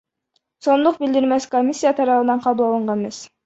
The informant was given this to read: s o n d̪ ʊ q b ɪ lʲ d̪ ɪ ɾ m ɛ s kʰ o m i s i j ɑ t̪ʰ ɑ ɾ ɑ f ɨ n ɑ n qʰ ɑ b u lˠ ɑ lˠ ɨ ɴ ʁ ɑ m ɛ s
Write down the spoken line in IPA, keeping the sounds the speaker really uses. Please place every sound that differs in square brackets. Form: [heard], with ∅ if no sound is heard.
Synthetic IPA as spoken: s o n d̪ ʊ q b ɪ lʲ d̪ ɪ ɾ m ɛ s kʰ o m i s i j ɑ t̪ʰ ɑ ɾ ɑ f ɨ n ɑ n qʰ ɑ b u lˠ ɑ lˠ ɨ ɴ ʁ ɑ m ɛ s